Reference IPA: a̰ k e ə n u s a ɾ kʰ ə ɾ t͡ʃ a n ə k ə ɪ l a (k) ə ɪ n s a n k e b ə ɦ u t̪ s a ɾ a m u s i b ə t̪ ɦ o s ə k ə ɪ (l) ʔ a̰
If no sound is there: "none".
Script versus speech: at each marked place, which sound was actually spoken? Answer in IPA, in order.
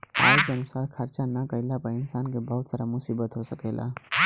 p, l

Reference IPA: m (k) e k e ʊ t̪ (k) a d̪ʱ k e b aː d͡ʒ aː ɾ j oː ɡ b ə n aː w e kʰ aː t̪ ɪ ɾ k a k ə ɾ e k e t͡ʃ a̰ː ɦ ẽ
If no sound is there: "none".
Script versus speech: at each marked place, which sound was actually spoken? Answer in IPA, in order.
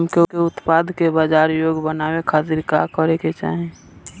k, p

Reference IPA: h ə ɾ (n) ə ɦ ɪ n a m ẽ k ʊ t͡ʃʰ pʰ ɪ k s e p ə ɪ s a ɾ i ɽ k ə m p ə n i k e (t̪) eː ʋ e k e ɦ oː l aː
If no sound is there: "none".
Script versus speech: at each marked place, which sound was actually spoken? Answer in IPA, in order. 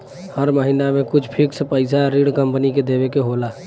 m, d̪

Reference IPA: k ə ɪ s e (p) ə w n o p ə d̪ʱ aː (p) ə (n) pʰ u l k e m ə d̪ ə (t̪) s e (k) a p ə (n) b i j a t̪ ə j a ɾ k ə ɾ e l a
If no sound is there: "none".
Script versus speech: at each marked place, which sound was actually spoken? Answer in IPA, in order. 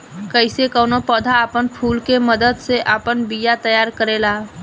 k, p, n, d̪, ʔ, n

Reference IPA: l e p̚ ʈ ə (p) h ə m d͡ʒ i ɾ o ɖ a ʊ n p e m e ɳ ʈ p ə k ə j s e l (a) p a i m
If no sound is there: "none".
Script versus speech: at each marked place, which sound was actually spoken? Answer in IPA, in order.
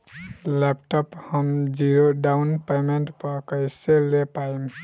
p, e

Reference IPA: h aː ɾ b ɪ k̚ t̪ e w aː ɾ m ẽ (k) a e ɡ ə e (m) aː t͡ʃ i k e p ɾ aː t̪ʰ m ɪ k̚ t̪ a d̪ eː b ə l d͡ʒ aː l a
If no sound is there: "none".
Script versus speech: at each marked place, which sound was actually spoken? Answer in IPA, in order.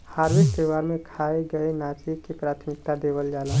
kʰ, n

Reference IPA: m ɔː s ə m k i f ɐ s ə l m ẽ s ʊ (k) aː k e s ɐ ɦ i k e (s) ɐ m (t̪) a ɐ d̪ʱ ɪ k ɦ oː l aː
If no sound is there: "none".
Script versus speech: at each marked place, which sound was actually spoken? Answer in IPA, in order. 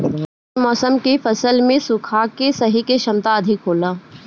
kʰ, ʃ, t̪

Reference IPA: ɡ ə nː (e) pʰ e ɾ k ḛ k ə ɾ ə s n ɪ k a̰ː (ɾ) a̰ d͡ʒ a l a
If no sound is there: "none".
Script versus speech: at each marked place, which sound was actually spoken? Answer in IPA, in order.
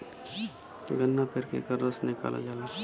a, l

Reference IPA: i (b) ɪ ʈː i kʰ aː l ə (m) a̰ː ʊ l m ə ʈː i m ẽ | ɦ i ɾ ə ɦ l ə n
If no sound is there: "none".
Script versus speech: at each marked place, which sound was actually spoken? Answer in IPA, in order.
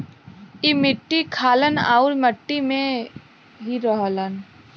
m, n

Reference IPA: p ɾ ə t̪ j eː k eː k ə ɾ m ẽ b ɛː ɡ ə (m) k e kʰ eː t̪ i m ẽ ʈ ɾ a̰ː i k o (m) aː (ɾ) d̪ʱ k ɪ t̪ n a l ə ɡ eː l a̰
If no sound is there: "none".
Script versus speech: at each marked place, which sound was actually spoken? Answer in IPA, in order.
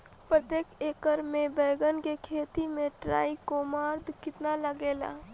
n, m, ɾ

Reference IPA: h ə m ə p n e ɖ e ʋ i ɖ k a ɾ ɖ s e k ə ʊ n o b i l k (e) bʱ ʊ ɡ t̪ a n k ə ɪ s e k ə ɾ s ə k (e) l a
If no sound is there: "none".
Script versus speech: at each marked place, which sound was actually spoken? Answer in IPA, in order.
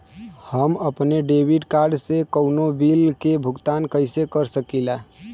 e, i

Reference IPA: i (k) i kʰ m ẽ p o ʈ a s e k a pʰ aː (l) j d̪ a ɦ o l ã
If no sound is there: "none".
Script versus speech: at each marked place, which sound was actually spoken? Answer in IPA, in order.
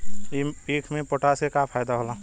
p, none

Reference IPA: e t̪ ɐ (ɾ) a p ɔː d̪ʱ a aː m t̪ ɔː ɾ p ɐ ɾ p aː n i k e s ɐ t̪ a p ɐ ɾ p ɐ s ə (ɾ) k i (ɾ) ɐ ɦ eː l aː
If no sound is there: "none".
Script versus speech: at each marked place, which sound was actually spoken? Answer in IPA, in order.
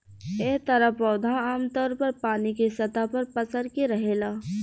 ɾ, ɾ, ɾ

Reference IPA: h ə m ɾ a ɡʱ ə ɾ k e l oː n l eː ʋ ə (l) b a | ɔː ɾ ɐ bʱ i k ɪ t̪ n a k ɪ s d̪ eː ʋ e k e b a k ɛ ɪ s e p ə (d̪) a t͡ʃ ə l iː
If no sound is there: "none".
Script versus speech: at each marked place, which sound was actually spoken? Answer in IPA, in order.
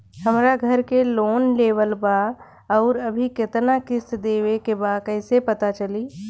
l, t̪

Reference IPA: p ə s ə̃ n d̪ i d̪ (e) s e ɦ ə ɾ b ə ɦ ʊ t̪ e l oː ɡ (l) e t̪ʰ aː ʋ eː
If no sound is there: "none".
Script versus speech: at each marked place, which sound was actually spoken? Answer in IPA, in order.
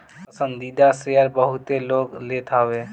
a, l

